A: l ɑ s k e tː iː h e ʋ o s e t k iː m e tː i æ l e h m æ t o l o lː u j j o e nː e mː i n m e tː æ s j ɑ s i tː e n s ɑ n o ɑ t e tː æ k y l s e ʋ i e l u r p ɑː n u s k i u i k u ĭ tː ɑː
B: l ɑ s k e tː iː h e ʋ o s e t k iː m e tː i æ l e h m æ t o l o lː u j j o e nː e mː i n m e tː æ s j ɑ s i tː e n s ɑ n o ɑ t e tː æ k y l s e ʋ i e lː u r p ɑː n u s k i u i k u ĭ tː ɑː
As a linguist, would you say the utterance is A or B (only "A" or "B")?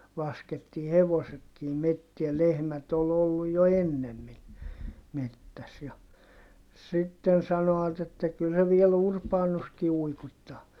A